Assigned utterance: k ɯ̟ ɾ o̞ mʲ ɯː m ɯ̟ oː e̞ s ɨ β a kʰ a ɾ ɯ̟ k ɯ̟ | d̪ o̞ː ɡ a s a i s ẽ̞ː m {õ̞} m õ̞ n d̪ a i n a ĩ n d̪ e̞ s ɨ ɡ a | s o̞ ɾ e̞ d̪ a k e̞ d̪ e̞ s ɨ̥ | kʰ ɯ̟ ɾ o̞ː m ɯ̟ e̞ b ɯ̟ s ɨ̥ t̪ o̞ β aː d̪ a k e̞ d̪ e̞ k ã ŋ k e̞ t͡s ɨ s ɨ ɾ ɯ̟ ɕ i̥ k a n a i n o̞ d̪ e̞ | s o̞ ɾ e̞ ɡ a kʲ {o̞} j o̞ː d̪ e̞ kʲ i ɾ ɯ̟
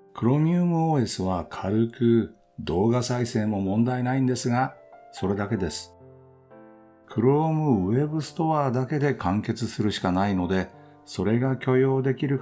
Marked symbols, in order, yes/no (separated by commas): no, yes